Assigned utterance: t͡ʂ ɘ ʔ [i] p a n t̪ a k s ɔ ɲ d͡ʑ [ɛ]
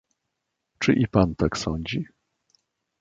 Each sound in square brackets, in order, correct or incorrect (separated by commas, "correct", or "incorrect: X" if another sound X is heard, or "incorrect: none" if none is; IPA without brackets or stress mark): correct, incorrect: i